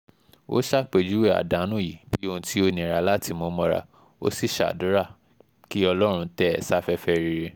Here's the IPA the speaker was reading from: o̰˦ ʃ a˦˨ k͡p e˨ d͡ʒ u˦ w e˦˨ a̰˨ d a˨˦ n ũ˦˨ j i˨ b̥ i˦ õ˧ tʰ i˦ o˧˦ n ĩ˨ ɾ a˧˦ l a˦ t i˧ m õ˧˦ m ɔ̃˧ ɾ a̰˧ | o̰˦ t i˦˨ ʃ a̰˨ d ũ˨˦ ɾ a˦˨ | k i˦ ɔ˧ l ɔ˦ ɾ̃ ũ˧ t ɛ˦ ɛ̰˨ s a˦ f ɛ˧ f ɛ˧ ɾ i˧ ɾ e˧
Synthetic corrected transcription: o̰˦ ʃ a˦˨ k͡p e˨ d͡ʒ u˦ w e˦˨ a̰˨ d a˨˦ n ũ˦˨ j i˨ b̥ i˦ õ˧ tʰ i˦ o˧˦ n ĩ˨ ɾ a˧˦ l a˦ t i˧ m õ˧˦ m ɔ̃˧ ɾ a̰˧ | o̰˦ s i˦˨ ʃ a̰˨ d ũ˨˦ ɾ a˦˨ | k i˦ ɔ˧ l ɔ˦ ɾ̃ ũ˧ t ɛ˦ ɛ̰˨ s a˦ f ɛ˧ f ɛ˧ ɾ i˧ ɾ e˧